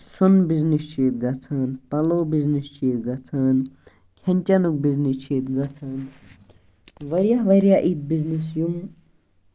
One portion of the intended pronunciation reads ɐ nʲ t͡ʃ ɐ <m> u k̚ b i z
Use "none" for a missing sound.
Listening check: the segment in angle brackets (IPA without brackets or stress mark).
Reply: n